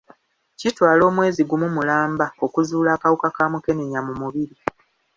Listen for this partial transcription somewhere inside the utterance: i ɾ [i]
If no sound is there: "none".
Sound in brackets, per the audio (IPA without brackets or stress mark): i